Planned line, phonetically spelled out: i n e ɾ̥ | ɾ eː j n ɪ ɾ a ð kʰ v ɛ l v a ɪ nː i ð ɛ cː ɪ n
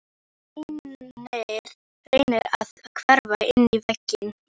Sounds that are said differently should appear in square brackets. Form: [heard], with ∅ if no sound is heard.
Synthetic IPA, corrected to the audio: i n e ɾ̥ | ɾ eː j n ɪ ɾ a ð kʰ v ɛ [ɾ] v a ɪ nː i [v] ɛ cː ɪ n

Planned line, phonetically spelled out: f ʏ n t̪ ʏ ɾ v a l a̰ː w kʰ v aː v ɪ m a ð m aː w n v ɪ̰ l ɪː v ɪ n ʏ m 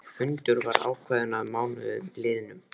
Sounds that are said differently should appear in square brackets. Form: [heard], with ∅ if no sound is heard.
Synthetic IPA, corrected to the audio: f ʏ n t̪ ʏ ɾ v a [ɾ] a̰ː w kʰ v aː [ð] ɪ [n] a ð m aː w n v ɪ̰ l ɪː [ð] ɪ n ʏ m

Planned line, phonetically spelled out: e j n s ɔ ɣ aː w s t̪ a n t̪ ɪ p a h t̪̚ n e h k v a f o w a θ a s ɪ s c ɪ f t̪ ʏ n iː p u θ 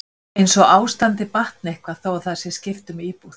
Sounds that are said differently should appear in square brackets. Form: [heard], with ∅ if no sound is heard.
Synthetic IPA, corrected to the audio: e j n s ɔ ɣ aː w s t̪ a n t̪ ɪ p a h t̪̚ n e h k v a [θ] o w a θ a s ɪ s c ɪ f t̪ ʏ [m] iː p u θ

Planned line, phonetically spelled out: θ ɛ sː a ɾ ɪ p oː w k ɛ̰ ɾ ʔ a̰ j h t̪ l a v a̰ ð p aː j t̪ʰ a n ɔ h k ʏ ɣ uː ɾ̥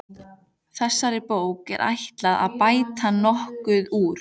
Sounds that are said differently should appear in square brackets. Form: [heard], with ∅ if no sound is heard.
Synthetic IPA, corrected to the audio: θ ɛ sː a ɾ ɪ p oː w k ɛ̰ ɾ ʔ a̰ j h t̪ l a [ð] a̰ ð p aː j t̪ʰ a n ɔ h k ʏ [ð] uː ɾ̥

